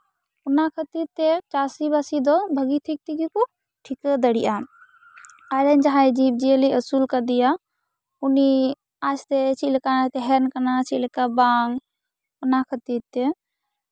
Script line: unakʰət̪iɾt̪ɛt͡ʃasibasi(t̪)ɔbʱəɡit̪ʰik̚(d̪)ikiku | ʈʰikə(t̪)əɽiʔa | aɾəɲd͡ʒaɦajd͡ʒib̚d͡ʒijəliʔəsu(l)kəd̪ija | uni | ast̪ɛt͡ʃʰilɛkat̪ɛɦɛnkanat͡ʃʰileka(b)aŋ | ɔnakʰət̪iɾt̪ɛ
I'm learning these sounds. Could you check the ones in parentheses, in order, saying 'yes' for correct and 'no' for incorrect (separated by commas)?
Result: no, no, no, yes, yes